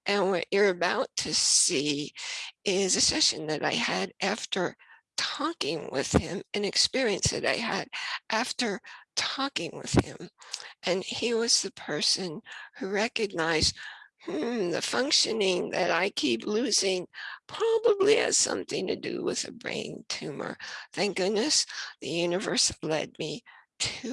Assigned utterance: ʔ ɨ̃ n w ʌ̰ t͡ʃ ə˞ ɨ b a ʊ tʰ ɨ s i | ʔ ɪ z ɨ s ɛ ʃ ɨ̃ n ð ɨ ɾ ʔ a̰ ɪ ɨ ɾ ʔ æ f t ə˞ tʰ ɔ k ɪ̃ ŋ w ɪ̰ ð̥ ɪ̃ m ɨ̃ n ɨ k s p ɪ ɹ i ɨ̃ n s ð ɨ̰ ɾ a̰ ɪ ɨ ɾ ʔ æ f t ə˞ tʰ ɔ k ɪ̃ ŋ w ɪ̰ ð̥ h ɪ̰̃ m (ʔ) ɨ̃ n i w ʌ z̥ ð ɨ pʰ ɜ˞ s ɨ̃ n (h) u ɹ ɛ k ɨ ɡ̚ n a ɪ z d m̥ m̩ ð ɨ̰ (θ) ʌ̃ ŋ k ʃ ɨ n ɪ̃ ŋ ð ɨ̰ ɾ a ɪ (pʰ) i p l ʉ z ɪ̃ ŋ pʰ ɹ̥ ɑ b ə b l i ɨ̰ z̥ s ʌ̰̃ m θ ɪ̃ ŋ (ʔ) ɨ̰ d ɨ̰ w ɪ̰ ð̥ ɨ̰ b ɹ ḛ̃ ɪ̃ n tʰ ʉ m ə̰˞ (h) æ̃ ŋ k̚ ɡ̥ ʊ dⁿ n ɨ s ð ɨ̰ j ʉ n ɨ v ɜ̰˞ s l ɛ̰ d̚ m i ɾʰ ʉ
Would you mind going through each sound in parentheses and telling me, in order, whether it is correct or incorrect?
correct, correct, incorrect: f, incorrect: kʰ, incorrect: t, incorrect: θ

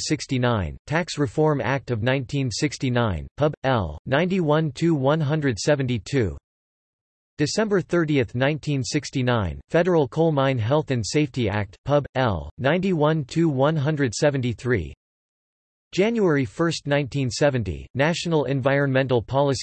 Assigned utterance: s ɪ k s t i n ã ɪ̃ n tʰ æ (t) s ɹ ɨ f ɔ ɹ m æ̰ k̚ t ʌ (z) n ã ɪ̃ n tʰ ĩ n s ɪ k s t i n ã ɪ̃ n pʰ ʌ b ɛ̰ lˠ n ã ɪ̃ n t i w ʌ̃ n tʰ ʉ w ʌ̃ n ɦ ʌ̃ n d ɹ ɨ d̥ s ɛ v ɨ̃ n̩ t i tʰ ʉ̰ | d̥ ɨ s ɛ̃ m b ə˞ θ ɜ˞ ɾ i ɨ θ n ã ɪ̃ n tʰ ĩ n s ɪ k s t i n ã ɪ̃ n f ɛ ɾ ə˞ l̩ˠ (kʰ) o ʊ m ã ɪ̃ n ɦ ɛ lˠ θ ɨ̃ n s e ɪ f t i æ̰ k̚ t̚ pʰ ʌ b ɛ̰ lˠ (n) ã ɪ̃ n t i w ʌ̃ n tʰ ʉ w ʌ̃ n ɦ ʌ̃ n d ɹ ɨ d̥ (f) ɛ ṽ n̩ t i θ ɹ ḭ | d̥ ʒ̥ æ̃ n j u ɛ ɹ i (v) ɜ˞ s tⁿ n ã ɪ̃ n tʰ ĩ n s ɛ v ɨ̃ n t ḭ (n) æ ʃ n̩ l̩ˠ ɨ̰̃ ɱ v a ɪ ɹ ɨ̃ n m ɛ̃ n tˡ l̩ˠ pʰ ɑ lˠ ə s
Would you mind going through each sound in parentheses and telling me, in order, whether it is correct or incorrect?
incorrect: k, incorrect: v, correct, correct, incorrect: s, incorrect: f, correct

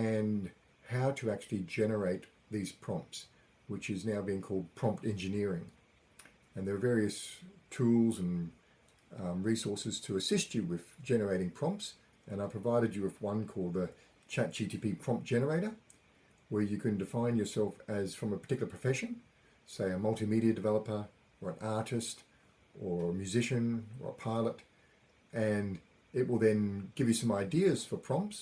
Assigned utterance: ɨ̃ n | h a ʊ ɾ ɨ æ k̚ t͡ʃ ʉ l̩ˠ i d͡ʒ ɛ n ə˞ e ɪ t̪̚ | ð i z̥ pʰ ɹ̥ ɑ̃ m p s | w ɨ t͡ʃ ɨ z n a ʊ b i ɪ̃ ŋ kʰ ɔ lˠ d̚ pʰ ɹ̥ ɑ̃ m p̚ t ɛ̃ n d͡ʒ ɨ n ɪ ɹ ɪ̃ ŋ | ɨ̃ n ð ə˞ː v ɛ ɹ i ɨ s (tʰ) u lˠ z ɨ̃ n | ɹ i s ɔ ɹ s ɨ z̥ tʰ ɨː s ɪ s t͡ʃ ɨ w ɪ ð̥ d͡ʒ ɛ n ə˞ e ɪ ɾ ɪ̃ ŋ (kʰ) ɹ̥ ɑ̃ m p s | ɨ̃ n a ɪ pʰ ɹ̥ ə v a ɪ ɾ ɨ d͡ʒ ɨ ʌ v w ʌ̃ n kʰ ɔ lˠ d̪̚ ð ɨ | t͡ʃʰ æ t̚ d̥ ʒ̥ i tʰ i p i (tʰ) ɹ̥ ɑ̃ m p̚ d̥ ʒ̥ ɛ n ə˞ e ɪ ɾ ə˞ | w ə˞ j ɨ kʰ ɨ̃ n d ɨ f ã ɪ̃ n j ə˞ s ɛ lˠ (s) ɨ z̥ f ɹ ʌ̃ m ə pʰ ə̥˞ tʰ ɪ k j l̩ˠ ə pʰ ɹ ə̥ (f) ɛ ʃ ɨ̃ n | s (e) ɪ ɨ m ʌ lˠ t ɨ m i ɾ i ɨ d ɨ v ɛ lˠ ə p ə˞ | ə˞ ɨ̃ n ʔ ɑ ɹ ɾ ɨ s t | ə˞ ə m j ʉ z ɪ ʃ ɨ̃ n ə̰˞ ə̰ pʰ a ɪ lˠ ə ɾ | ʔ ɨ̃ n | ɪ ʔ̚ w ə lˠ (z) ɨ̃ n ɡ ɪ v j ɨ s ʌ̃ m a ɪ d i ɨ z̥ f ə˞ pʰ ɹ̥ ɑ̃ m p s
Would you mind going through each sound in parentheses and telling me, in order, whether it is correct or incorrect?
correct, incorrect: pʰ, incorrect: pʰ, incorrect: f, correct, correct, incorrect: ð

